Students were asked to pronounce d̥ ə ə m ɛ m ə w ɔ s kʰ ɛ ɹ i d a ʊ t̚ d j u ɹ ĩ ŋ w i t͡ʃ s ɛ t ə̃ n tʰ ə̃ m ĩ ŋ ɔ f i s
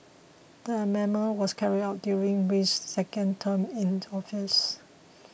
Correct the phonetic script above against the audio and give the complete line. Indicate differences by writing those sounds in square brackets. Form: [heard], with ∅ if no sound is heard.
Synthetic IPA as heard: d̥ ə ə m ɛ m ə w ɔ s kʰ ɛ ɹ i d a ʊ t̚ d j u ɹ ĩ ŋ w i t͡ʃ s ɛ [k] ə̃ n tʰ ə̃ m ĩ [n] ɔ f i s

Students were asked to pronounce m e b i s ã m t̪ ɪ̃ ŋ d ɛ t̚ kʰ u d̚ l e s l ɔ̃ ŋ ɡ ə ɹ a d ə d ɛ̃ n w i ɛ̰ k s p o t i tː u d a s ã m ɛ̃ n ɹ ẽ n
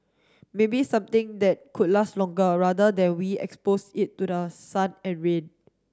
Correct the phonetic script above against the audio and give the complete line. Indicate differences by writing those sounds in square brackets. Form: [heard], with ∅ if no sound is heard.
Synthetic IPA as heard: m e b i s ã m t̪ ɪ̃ ŋ d ɛ t̚ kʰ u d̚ l [a] s l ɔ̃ ŋ ɡ ə ɹ a d ə d ɛ̃ n w i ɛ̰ k s p o [s] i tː u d [ə] s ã [n] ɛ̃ n ɹ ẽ n

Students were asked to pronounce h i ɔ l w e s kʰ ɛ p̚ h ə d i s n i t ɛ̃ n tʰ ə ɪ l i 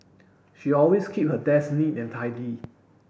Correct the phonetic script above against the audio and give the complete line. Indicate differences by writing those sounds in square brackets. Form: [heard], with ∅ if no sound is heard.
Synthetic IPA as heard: [ʃ] i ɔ l w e s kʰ [i] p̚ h ə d [ɛ] s n i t ɛ̃ n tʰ [a] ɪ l i

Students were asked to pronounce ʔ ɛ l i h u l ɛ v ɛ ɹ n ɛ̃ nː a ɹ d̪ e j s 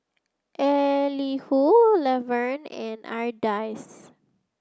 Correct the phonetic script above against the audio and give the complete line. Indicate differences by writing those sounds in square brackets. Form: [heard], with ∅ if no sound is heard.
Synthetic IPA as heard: ʔ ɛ l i h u l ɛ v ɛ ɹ n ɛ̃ [n] a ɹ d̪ [a] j s

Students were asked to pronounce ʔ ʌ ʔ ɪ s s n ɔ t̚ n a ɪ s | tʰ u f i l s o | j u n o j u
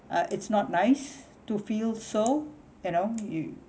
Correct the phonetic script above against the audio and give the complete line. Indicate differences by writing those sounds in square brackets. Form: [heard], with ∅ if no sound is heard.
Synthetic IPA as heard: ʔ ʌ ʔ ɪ [t] s n ɔ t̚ n a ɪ s | [t] u f i l s o | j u n o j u

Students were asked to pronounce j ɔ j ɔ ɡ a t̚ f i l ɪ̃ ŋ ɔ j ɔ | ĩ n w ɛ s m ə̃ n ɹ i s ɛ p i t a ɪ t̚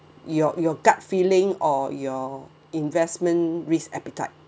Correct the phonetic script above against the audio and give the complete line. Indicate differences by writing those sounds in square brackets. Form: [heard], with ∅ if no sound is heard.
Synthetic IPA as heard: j ɔ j ɔ ɡ a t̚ f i l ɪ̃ ŋ ɔ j ɔ | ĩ n [v] ɛ s m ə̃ n ɹ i s ɛ p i t a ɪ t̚

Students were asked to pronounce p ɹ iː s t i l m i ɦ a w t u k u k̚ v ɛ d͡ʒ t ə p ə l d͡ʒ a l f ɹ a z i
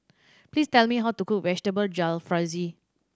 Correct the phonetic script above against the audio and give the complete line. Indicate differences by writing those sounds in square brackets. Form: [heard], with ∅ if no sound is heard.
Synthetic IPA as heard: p [l] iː s t [ɛ] l m i ɦ a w t u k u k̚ v ɛ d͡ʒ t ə [b] ə l d͡ʒ a l f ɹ a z i

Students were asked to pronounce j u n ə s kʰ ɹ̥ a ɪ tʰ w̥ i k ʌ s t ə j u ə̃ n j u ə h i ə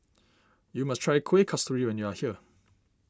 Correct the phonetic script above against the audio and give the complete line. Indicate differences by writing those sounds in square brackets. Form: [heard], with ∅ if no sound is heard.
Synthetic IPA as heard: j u [m] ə s [tʰ] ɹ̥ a ɪ [kʰ] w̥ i [kʰ] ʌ s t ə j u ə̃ n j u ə h i ə

